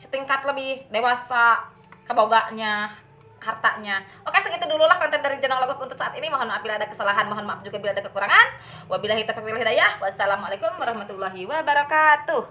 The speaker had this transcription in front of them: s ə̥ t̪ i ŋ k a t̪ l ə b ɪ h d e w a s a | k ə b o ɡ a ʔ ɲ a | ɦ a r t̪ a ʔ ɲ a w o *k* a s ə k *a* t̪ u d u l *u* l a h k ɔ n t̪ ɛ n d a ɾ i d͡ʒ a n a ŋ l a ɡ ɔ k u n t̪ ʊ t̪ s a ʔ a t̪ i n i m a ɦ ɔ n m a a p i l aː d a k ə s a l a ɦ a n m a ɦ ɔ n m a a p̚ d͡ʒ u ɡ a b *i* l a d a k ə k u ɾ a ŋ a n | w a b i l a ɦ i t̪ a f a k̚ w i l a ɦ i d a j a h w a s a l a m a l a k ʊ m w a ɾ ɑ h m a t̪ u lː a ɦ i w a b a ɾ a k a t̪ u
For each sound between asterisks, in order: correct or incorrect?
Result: correct, incorrect, correct, correct

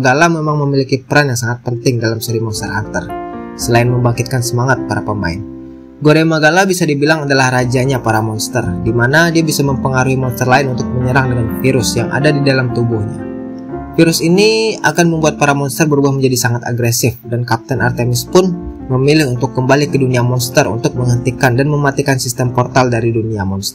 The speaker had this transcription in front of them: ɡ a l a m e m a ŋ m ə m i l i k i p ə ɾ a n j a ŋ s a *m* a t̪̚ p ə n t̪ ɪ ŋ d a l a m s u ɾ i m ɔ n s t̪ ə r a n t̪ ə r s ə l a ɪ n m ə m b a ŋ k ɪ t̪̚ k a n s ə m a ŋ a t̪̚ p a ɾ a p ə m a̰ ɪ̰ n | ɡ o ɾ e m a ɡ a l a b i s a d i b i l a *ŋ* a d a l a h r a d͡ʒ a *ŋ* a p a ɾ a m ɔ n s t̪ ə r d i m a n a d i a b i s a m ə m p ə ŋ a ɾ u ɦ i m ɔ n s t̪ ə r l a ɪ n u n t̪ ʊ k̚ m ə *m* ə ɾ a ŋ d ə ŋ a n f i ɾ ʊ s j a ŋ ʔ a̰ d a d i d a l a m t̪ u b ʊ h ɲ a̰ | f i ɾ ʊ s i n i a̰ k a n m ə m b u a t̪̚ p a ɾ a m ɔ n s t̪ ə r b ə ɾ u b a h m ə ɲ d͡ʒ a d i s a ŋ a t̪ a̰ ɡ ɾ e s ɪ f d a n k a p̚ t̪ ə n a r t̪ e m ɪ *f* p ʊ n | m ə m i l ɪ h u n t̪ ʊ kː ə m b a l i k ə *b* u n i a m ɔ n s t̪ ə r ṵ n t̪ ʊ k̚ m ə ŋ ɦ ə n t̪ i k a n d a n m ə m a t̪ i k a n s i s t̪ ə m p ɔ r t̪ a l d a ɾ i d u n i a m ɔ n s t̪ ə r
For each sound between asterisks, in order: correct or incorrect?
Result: incorrect, correct, incorrect, incorrect, incorrect, incorrect

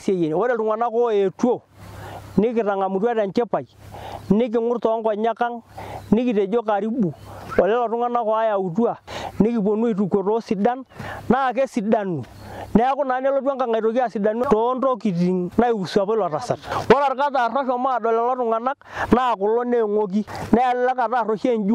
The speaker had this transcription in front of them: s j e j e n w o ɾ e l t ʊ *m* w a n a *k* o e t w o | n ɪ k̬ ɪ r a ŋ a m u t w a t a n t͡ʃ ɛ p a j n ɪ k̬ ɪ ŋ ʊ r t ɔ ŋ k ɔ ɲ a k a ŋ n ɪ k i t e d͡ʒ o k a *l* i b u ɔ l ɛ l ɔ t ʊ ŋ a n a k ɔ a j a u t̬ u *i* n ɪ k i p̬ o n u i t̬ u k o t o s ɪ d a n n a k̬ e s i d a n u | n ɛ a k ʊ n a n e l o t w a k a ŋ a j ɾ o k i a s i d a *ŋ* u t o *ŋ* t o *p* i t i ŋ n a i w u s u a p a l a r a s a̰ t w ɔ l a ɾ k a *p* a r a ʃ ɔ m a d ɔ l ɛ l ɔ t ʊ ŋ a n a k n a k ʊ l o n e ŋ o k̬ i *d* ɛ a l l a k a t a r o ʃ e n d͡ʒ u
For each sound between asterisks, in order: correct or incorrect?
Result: incorrect, correct, incorrect, incorrect, incorrect, incorrect, incorrect, incorrect, incorrect

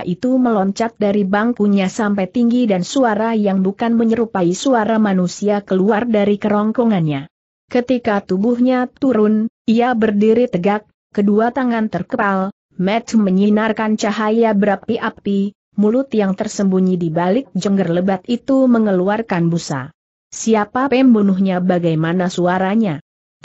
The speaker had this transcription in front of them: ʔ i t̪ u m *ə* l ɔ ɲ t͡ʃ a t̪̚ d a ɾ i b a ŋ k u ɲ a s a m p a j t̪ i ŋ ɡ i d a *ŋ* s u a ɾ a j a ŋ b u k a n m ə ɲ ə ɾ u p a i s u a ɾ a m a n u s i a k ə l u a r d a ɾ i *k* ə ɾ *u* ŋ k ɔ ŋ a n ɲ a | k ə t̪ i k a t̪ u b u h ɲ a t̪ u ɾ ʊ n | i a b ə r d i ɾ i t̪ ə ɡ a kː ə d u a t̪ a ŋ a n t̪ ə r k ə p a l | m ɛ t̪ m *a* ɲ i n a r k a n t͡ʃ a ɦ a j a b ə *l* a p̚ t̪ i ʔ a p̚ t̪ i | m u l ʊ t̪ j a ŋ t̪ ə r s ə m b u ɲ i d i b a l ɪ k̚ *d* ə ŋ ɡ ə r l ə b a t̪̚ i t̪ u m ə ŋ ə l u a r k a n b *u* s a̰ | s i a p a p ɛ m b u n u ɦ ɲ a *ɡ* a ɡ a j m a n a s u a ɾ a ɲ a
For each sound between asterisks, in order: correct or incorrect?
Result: correct, incorrect, correct, incorrect, incorrect, incorrect, incorrect, correct, incorrect

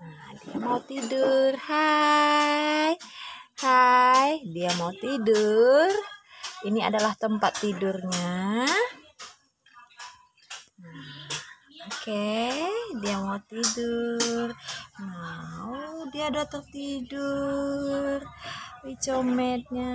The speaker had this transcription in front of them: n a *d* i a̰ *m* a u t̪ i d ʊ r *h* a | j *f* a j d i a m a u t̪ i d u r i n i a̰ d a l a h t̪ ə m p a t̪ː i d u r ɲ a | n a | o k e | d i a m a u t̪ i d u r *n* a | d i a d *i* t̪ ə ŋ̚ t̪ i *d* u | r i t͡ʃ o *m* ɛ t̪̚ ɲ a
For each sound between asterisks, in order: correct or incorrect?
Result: correct, correct, correct, incorrect, incorrect, incorrect, correct, correct

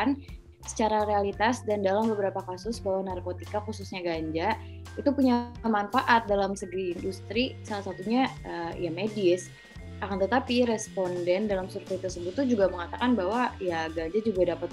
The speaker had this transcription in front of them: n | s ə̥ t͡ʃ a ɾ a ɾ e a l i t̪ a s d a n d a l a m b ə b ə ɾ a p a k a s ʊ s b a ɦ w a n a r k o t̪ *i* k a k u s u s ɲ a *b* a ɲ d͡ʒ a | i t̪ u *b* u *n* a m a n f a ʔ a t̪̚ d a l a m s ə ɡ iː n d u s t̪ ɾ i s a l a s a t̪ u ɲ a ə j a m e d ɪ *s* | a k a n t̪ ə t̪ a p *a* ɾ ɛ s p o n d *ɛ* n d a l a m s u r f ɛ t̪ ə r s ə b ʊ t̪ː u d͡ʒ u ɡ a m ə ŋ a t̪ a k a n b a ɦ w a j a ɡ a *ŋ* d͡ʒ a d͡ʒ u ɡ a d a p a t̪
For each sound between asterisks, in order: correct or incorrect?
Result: correct, incorrect, incorrect, incorrect, correct, incorrect, correct, incorrect

